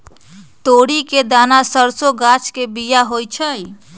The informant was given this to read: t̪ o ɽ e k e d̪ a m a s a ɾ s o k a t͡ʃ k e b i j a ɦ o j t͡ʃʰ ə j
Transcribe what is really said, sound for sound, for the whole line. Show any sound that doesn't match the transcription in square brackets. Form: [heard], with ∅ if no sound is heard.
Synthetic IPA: t̪ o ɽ [i] k e d̪ a [n] a s [ə] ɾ s o [ɡ] a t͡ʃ k e b i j a ɦ o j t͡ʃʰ ə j